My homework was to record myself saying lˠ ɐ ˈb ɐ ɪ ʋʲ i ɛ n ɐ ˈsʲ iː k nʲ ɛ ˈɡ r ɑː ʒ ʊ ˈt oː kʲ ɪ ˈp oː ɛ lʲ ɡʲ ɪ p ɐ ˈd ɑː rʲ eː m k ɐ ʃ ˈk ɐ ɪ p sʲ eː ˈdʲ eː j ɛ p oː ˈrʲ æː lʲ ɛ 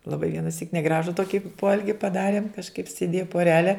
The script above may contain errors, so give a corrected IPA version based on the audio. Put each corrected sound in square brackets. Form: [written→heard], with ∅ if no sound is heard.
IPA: lˠ ɐ ˈb ɐ ɪ ʋʲ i ɛ n ɐ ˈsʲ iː k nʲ ɛ ˈɡ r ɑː ʒ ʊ ˈt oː kʲ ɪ ˈp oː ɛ lʲ ɡʲ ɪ p ɐ ˈd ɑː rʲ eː m k ɐ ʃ ˈk ɐ ɪ p sʲ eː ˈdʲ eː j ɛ p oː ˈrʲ æː lʲ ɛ